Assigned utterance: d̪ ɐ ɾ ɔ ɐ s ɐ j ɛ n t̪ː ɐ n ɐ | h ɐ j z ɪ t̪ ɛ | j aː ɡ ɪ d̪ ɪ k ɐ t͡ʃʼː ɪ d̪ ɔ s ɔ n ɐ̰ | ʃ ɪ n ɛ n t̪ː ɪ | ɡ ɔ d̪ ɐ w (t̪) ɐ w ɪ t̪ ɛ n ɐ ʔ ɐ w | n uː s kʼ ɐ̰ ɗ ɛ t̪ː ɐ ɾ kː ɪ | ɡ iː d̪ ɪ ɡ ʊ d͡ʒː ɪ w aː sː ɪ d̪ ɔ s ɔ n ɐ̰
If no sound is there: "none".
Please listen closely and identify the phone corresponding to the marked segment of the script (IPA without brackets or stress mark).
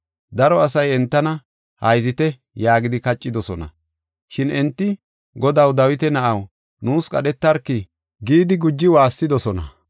d̪